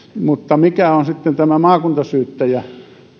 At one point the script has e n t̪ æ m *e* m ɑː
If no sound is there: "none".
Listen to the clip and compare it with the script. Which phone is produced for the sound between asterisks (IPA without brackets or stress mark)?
æ